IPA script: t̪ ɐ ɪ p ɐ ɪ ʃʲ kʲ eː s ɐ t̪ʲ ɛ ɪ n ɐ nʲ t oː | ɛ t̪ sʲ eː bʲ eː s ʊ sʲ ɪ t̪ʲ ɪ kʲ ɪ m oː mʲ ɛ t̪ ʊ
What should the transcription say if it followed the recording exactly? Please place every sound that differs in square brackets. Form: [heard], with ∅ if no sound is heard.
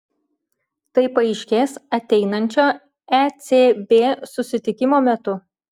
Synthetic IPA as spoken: t̪ ɐ ɪ p ɐ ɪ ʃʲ kʲ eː s ɐ t̪ʲ ɛ ɪ n ɐ nʲ [t͡ʃʲ] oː | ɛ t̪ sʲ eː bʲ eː s ʊ sʲ ɪ t̪ʲ ɪ kʲ ɪ m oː mʲ ɛ t̪ ʊ